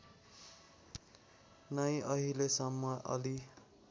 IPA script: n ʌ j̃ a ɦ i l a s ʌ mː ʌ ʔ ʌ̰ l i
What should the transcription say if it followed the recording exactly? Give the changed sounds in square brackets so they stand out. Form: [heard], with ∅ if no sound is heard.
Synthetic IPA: n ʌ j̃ [ʌ] ɦ i l [e] s ʌ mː ʌ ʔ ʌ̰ l i